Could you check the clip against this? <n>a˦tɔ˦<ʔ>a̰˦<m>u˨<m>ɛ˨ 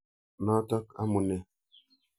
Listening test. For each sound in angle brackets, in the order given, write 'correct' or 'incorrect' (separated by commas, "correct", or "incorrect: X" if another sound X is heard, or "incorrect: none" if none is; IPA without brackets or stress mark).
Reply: correct, incorrect: k, correct, incorrect: n